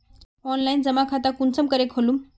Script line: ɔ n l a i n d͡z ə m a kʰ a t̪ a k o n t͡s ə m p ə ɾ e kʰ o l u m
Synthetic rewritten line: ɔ n l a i n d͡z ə m a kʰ a t̪ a k u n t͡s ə m k ə ɾ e kʰ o l u m